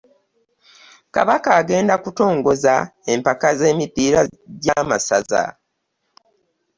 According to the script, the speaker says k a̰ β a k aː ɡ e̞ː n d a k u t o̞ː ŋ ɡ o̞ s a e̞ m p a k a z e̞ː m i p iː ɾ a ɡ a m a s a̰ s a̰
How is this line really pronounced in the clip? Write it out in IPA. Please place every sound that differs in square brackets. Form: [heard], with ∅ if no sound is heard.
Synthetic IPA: k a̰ β a k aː ɡ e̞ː n d a k u t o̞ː ŋ ɡ o̞ [z] a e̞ m p a k a z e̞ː m i p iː ɾ a [ɟ] a m a s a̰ [z] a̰